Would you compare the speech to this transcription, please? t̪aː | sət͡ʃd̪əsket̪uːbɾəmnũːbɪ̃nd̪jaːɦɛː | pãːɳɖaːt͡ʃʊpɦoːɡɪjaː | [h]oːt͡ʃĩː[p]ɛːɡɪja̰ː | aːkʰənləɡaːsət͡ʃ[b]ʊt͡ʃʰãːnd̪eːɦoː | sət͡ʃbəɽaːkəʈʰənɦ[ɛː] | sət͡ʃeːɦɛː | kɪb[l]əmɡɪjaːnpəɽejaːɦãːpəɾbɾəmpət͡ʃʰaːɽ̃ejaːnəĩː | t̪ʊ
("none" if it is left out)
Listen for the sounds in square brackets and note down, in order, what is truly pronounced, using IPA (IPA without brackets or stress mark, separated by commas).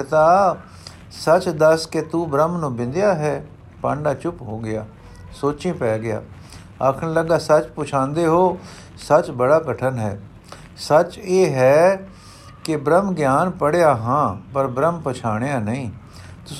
s, p, p, ɛː, ɾ